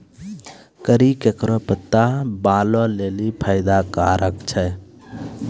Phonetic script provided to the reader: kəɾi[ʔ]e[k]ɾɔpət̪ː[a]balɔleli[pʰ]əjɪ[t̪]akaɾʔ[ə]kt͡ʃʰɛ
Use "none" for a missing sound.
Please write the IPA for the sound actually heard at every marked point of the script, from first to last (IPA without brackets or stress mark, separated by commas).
k, k, a, pʰ, d̪, ə